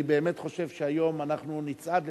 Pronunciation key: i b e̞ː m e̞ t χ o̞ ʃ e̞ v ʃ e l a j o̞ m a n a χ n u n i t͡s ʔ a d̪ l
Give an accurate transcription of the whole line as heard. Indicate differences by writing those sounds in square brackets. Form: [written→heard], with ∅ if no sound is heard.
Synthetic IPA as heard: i b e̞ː m e̞ t χ o̞ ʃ e̞ v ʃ e [l→∅] a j o̞ m a n a χ n u n i t͡s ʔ a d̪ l